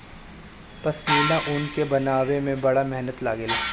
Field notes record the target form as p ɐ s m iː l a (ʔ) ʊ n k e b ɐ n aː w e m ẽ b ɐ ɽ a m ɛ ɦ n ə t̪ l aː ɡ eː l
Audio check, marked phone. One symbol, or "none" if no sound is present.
ʔ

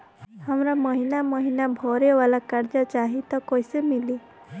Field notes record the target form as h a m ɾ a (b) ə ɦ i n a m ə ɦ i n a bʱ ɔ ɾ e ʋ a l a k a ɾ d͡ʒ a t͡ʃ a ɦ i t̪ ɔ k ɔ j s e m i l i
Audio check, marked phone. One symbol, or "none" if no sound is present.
m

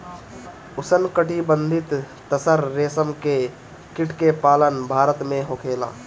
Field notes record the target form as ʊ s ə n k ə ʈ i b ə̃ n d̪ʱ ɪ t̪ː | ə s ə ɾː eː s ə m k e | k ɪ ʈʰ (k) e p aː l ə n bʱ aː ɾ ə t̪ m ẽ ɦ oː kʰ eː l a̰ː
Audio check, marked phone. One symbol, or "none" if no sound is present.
k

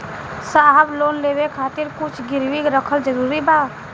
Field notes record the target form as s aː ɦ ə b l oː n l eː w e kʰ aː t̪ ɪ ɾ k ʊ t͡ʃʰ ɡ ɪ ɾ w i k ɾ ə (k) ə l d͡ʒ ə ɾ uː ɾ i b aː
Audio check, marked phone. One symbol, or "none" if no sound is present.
kʰ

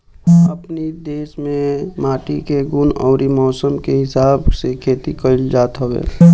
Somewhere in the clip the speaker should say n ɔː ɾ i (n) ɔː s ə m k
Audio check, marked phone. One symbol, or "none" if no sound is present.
m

